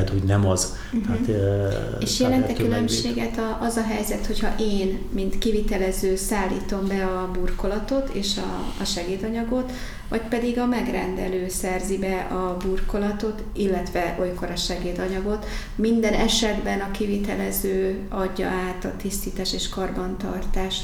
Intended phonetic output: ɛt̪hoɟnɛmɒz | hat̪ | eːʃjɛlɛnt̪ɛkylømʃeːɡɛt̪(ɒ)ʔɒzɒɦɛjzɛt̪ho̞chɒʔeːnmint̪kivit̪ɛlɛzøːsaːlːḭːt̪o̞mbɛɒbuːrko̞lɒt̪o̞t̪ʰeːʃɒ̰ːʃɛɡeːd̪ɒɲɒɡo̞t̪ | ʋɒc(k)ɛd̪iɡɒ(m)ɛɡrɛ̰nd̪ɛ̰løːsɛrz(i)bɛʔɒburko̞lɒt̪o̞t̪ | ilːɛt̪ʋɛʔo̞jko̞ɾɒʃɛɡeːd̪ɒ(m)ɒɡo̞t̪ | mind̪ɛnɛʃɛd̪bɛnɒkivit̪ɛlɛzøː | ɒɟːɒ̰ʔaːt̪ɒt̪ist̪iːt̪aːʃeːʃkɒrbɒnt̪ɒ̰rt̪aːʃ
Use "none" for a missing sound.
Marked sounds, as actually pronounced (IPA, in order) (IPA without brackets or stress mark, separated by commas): ɒ, p, m, i, ɲ